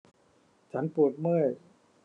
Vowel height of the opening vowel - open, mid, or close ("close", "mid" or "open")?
open